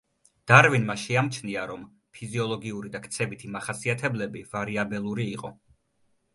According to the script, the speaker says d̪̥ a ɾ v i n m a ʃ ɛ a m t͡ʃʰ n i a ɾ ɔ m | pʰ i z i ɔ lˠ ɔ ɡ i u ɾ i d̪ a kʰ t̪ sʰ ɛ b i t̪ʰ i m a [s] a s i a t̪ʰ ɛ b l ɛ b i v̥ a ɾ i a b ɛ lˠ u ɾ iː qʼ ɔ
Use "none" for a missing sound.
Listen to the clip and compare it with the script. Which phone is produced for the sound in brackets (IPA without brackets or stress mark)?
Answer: χ